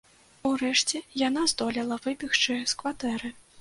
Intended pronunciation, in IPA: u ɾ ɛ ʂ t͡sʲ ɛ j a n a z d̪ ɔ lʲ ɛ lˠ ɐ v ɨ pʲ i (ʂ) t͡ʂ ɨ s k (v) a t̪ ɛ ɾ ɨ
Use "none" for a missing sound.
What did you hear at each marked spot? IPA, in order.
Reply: x, v

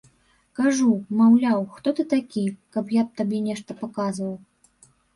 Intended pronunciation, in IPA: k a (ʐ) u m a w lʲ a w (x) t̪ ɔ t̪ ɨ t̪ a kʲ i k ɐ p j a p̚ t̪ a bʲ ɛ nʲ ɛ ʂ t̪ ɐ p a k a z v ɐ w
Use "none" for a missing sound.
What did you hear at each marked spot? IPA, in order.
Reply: ʐ, x

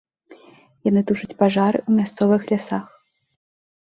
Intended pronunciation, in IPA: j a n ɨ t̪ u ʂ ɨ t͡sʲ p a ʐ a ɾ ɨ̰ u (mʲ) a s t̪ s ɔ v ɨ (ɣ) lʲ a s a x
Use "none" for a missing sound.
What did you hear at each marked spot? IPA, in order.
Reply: mʲ, x

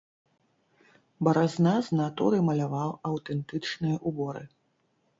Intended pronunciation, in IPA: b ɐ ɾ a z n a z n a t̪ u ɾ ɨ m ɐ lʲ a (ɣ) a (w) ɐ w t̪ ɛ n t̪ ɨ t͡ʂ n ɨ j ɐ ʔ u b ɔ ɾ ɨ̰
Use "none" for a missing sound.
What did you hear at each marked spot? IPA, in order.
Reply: v, w

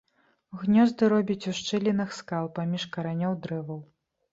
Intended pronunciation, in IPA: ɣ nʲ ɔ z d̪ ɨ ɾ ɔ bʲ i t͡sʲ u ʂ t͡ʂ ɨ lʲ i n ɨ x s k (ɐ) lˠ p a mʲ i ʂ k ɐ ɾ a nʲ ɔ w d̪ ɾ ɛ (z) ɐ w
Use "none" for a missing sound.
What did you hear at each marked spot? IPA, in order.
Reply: a, v

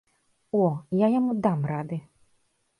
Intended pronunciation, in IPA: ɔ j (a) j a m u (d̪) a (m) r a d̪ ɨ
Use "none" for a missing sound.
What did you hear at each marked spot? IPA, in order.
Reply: a, d̪, m

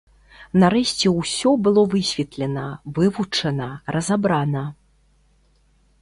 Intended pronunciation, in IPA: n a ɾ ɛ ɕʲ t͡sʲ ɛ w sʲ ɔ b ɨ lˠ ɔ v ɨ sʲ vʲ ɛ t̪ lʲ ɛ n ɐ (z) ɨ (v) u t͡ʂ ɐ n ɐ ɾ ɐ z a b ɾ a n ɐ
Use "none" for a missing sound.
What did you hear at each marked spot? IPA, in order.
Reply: v, v

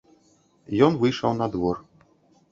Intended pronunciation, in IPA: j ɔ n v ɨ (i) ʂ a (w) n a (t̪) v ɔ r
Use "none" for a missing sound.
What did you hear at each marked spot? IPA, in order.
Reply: j, w, d̪

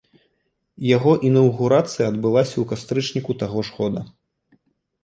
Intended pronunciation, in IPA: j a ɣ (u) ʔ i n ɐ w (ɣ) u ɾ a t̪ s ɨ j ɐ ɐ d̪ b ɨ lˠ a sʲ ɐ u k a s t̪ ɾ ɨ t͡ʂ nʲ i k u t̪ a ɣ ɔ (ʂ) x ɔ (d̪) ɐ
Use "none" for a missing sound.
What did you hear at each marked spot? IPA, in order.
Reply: ɔ, ɣ, ʂ, d̪

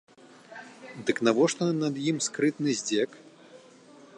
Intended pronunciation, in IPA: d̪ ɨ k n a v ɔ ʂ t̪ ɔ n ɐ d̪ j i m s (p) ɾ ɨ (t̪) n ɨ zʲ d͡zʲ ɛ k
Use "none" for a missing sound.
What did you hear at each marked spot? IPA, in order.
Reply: k, t̪

